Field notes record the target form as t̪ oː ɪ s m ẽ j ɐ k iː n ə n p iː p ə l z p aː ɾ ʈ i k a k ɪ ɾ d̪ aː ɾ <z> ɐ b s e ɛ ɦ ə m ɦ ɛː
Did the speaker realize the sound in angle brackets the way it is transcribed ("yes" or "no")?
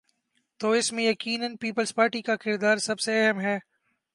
no